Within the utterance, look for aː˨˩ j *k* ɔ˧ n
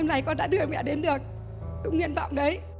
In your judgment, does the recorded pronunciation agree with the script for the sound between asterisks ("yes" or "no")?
yes